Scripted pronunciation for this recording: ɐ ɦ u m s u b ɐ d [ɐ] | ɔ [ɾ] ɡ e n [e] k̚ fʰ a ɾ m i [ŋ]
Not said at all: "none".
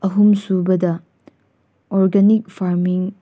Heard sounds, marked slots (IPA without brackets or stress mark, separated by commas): ɐ, ɾ, i, ŋ